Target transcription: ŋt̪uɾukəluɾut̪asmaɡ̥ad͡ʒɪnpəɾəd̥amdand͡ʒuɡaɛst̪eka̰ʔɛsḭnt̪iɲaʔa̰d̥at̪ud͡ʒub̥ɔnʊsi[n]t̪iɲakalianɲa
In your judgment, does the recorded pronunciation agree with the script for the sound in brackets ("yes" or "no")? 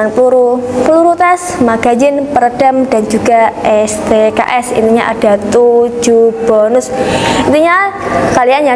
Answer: yes